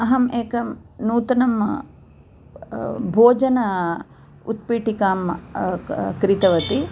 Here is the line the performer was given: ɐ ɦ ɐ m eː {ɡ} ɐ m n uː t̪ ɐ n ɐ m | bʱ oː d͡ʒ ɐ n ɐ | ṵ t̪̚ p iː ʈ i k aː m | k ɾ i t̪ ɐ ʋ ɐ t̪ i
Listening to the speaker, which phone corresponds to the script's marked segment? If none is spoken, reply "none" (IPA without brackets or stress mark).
k